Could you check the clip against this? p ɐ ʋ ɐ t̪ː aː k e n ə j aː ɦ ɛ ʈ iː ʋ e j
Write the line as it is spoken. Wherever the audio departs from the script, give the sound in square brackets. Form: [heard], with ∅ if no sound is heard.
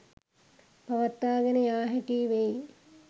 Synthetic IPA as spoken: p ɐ ʋ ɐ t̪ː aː [ɡ] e n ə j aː ɦ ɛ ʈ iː ʋ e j

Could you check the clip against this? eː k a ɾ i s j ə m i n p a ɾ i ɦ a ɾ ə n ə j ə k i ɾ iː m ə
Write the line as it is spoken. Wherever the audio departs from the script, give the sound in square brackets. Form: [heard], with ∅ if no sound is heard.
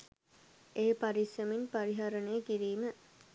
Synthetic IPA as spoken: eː [p] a ɾ i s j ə m i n p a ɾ i ɦ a ɾ ə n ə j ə k i ɾ iː m ə

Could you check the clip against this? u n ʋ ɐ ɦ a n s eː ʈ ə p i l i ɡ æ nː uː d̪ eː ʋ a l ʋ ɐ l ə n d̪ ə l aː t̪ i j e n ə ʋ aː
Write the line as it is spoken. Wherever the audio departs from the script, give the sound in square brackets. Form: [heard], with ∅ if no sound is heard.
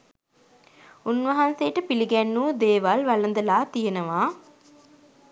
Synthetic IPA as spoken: u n ʋ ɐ ɦ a n s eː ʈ ə p i l i ɡ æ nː uː d̪ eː ʋ a l ʋ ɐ l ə n d̪ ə l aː t̪ i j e n ə ʋ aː

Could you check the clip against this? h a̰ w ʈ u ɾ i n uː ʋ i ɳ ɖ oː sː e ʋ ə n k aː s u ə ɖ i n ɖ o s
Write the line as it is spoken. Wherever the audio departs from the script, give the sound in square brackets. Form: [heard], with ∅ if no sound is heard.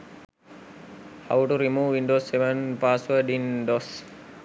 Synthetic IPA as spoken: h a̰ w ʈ u ɾ i [m] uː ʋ i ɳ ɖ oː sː e ʋ ə n [p] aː s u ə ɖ i n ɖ o s

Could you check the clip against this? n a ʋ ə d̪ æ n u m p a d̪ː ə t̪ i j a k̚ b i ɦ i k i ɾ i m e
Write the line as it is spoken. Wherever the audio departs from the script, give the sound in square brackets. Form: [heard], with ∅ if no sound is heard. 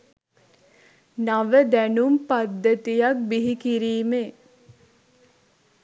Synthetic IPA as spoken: n a ʋ ə d̪ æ n u m p a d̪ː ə t̪ i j a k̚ b i ɦ i k i ɾ [iː] m e

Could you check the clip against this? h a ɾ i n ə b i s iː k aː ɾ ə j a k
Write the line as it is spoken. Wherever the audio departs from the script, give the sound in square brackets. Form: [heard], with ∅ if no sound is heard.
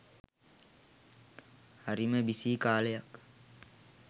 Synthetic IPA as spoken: h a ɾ i [m] ə b i s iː k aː [l] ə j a k

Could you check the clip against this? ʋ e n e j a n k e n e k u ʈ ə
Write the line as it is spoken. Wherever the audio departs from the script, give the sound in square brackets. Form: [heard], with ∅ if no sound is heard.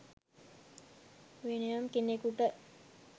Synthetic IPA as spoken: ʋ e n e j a [m] k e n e k u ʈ ə

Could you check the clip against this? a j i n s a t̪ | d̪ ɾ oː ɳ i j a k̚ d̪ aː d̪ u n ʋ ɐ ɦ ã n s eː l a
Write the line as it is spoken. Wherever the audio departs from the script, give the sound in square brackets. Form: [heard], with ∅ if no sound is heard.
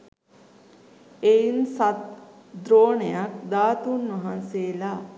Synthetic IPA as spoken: [e] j i n s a t̪ | d̪ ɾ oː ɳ [e] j a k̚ d̪ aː [t̪] u n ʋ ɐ ɦ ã n s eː l a

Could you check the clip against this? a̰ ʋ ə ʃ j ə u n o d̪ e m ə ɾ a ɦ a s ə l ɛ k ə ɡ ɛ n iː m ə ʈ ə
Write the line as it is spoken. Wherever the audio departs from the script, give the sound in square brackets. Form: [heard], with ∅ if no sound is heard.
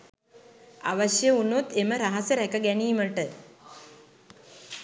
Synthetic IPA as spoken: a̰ ʋ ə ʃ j ə u n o [t̪] e m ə ɾ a ɦ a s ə [ɾ] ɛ k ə ɡ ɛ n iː m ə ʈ ə

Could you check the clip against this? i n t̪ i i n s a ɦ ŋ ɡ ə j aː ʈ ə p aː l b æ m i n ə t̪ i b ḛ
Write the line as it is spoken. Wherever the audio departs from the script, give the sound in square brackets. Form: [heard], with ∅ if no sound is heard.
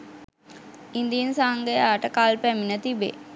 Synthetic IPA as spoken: i n [d̪] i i n s a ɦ ŋ ɡ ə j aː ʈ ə [k] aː l [p] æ m i n ə t̪ i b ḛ

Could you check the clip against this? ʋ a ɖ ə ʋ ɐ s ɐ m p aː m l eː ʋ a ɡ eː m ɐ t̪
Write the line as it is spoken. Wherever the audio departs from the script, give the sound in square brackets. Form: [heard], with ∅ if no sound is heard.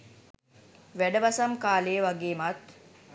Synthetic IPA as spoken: ʋ [æ] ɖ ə ʋ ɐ s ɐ m [k] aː [∅] l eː ʋ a ɡ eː m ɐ t̪

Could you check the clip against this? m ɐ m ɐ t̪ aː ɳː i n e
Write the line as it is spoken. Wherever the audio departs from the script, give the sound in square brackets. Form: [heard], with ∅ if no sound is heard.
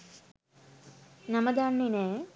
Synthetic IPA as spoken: [n] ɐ m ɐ [d̪] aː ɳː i n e

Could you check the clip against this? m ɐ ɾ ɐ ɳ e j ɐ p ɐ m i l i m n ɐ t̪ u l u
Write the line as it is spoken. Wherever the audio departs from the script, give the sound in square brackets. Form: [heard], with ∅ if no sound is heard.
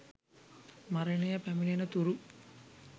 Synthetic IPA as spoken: m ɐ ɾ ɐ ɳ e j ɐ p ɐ m i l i [∅] n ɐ t̪ u [ɾ] u

